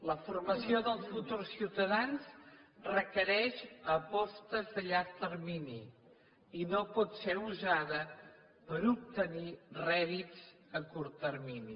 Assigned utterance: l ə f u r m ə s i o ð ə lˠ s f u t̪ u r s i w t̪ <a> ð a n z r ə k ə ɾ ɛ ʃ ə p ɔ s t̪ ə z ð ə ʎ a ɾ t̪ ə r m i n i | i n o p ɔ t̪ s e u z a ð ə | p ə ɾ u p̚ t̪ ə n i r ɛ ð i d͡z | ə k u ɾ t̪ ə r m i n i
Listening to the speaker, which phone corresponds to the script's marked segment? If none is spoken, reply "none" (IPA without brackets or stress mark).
ə